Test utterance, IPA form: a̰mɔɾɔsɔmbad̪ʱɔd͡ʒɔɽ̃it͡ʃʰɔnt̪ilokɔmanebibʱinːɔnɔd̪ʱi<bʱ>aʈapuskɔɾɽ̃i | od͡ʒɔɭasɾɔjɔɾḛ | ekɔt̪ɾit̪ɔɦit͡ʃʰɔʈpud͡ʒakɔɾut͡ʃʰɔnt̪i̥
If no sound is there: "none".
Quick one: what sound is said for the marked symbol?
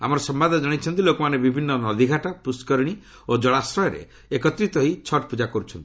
ɡʱ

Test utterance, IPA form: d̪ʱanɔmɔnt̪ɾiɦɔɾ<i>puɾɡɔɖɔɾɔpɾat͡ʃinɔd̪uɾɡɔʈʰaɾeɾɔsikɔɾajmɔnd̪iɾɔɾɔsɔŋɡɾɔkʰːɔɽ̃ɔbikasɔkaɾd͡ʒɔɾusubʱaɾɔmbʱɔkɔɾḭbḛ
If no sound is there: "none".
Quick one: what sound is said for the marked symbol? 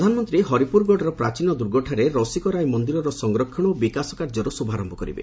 i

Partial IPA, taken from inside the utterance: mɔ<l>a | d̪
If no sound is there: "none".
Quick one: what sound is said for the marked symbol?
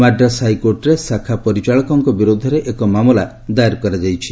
l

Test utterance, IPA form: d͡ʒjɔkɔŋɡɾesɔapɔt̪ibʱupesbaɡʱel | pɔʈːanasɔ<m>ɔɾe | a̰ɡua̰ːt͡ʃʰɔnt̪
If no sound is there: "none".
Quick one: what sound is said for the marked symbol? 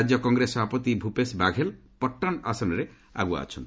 n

